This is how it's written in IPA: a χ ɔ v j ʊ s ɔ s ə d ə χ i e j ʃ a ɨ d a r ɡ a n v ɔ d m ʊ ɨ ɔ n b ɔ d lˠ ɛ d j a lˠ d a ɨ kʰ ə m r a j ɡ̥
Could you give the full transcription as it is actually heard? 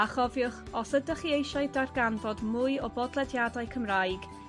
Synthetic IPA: a χ ɔ v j ʊ χ ɔ s ə d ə χ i e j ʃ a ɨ d a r ɡ a n v ɔ d m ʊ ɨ ɔ b ɔ d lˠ ɛ d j a d a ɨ kʰ ə m r a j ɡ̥

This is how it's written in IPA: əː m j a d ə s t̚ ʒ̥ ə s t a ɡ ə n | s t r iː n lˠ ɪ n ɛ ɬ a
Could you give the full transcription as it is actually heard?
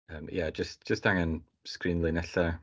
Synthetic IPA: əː m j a d͡ʒ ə s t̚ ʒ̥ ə s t a ŋ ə n | s k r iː n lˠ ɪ n ɛ ɬ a

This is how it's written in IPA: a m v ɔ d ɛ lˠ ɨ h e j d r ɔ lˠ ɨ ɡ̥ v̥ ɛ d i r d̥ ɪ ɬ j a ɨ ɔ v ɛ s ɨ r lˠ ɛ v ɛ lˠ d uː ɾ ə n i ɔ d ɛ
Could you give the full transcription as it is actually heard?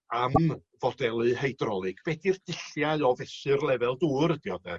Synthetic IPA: a m v ɔ d ɛ lˠ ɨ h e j d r ɔ lˠ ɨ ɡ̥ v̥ ɛ d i r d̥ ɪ ɬ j a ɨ ɔ v ɛ s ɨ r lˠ ɛ v ɛ lˠ d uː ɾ ə d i ɔ d ɛ

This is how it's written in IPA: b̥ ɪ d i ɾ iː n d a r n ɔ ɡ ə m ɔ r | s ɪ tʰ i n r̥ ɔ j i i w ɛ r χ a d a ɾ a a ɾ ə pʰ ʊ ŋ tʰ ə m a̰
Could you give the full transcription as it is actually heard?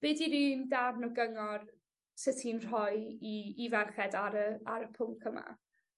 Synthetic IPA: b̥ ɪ d i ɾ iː n d a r n ɔ ɡ ə ŋ ɔ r | s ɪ tʰ i n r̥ ɔ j i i v ɛ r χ ɛ d a ɾ ə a ɾ ə pʰ ʊ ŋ kʰ ə m a̰

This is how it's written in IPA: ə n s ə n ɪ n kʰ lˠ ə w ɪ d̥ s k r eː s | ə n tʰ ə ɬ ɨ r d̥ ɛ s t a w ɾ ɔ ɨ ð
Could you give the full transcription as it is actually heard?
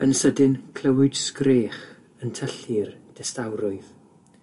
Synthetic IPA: ə n s ə d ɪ n kʰ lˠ ə w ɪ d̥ s k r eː χ | ə n tʰ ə ɬ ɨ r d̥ ɛ s t a w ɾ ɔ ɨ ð

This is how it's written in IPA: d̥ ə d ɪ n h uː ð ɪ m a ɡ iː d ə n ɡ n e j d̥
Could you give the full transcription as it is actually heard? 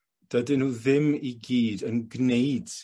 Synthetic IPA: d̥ ə d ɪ n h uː ð ɪ m i ɡ iː d ə n ɡ n e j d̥

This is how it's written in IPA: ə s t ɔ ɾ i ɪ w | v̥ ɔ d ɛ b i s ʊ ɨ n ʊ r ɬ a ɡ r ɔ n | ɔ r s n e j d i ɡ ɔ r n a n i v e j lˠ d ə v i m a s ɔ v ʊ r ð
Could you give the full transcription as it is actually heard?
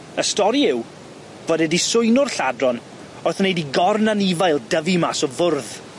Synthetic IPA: ə s t ɔ ɾ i ɪ w | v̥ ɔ d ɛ d i s ʊ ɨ n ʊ r ɬ a d r ɔ n | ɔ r θ n e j d i ɡ ɔ r n a n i v a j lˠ d ə v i m a s ɔ v ʊ r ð

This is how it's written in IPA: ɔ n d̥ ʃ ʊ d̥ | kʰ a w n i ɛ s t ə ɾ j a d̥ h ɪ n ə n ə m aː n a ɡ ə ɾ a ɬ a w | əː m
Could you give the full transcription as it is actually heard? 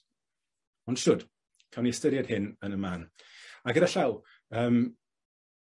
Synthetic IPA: ɔ n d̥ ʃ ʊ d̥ | kʰ a w n i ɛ s t ə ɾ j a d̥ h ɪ n ə n ə m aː n a ɡ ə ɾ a ɬ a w | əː m

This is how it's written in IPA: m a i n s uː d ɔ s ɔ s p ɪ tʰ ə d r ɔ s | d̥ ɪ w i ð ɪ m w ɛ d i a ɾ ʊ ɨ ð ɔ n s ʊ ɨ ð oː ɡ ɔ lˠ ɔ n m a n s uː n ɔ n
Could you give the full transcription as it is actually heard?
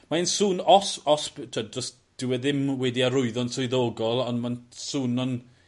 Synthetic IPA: m a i n s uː n ɔ s ɔ s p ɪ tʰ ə d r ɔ s | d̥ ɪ w ɛ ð ɪ m w ɛ d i a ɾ ʊ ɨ ð ɔ n s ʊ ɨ ð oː ɡ ɔ lˠ ɔ n m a n s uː n ɔ n

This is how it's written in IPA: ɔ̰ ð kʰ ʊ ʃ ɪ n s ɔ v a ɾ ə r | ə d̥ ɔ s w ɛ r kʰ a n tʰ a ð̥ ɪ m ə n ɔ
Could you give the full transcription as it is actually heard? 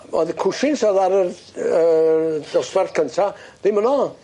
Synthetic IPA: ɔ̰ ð kʰ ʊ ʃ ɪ n s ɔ ð a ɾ ə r | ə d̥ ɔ s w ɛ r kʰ ə n tʰ a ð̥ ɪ m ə n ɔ

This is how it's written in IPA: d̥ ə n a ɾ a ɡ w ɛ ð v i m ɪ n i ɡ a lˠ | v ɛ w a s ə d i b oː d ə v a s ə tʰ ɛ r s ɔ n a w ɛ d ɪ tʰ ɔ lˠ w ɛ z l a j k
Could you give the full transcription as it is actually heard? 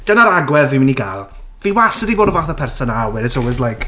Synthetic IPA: d̥ ə n a ɾ a ɡ w ɛ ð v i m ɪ n i ɡ a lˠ | v i w a s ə d i b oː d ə v a θ ə pʰ ɛ r s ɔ n a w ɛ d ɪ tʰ ɔ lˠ w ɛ z l a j k

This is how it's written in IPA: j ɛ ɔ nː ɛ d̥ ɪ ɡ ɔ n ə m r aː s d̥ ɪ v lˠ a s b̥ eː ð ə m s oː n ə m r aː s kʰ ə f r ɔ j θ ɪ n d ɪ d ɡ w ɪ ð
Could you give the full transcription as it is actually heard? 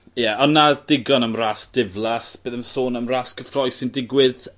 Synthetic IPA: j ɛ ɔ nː a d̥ ɪ ɡ ɔ n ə m r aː s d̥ ɪ v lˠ a s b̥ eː ð ə m s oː n ə m r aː s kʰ ə f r ɔ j s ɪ n d ɪ ɡ w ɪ ð

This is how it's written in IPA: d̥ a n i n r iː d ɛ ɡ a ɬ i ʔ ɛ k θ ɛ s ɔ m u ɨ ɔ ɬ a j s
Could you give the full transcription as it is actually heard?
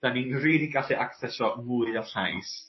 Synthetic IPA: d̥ a n i n r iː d i ɡ a ɬ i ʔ a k θ ɛ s ɔ m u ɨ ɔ ɬ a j s

